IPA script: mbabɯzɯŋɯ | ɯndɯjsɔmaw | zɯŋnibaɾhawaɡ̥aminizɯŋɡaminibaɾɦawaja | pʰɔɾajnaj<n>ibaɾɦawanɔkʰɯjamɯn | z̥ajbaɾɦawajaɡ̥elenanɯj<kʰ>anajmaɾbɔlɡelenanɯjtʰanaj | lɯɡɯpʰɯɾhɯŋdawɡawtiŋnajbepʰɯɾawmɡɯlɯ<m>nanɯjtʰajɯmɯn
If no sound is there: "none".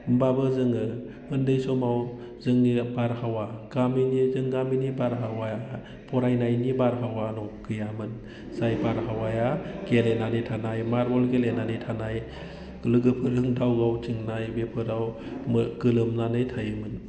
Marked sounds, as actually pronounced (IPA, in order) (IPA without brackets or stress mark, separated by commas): n, tʰ, m